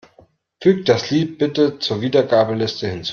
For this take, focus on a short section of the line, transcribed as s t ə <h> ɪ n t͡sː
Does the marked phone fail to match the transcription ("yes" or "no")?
no